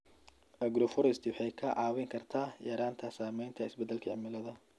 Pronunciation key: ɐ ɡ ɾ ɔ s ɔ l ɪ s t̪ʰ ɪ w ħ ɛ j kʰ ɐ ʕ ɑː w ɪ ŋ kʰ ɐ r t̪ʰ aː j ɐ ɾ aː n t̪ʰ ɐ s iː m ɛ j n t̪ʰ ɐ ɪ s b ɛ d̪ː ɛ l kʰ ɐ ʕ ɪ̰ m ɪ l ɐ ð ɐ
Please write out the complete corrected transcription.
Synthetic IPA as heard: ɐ ɡ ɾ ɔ f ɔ ɾ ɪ s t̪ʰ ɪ w ħ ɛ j kʰ ɐ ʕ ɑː w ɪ ŋ kʰ ɐ r t̪ʰ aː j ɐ ɾ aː n t̪ʰ ɐ s aː m ɛ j n t̪ʰ ɐ ɪ s b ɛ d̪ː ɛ l kʰ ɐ ʕ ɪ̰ m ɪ l ɐ ð ɐ